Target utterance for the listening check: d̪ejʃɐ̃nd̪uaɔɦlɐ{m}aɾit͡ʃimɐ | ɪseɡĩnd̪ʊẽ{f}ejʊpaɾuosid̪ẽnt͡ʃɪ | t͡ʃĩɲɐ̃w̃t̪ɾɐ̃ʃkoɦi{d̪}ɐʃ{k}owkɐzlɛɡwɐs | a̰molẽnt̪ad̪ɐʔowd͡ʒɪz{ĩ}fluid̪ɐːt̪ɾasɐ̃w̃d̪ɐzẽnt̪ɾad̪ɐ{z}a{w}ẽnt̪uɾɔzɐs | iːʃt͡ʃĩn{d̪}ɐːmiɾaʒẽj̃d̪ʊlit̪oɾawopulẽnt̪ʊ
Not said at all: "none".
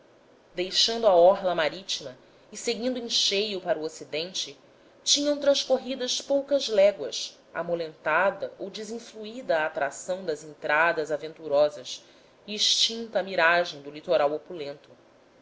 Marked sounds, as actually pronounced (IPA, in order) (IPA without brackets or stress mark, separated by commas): m, ʃ, d̪, p, ĩ, z, v, t̪